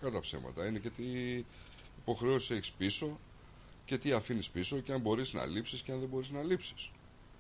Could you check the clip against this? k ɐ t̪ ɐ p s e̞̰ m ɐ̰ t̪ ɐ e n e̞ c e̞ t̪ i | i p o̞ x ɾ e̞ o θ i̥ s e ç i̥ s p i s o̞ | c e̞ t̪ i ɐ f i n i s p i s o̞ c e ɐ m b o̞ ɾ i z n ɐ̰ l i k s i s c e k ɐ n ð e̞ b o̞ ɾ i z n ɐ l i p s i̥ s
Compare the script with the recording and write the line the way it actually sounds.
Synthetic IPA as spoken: k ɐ t̪ ɐ p s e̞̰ m ɐ̰ t̪ ɐ i n e̞ c e̞ t̪ i | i p o̞ x ɾ e̞ o s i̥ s e ç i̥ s p i s o̞ | c e̞ t̪ i ɐ f i n i s p i s o̞ c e ɐ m b o̞ ɾ i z n ɐ̰ l i p s i s c e ɐ n ð e̞ b o̞ ɾ i z n ɐ l i p s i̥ s